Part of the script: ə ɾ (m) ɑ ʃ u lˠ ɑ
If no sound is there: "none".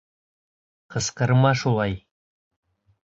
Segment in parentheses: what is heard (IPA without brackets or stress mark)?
m